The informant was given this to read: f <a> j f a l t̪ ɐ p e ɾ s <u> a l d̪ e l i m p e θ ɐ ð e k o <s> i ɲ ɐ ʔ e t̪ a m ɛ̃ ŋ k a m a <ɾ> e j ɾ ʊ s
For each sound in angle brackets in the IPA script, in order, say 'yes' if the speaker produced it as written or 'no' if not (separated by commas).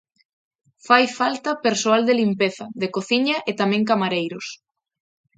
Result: yes, no, no, yes